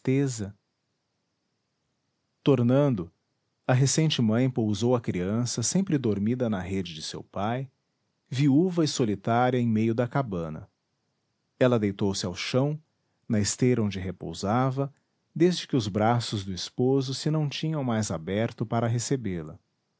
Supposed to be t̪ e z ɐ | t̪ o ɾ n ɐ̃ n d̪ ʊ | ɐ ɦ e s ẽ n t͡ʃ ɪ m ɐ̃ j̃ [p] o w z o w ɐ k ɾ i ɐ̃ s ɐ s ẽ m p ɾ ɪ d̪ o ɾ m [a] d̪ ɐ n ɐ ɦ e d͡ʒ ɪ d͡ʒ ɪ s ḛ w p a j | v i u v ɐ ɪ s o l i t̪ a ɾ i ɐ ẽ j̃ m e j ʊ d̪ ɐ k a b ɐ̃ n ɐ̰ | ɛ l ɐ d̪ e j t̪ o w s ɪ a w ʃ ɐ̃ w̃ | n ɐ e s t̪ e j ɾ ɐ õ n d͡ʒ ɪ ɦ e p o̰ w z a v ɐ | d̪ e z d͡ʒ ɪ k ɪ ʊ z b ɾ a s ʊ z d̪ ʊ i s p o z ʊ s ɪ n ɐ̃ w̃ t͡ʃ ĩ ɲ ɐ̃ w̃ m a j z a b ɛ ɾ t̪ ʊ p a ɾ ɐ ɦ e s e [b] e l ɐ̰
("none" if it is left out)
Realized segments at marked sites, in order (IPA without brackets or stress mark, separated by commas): p, i, b